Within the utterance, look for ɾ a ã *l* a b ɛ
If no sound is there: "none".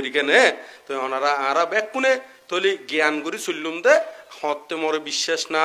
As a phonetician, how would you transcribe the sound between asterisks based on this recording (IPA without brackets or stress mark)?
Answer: ɾ